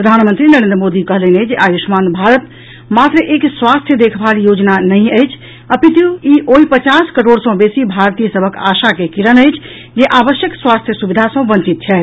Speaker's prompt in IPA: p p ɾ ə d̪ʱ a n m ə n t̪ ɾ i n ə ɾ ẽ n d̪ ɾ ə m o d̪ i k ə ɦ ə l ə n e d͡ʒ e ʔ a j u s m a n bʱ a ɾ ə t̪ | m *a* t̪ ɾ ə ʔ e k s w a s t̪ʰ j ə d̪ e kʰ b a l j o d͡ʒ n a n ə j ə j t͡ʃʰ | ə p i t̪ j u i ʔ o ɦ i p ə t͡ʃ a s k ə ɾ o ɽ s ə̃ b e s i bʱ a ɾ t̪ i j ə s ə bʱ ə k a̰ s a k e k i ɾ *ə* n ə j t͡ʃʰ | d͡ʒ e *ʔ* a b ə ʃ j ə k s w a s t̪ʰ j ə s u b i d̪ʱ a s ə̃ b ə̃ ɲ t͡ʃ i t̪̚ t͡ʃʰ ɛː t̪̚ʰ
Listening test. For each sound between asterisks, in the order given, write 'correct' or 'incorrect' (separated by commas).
correct, correct, correct